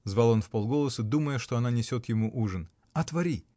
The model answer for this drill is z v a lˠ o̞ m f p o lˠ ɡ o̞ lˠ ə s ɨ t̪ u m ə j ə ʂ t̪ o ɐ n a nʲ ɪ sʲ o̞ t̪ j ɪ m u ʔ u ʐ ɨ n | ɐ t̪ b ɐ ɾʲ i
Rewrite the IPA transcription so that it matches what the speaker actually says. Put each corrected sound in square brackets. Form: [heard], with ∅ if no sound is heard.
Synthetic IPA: z v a lˠ o̞ [n] f p o lˠ ɡ o̞ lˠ ə s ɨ [d̪] u m ə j ə ʂ t̪ o ɐ n a nʲ ɪ sʲ o̞ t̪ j ɪ m u ʔ u ʐ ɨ n | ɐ t̪ [v] ɐ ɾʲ i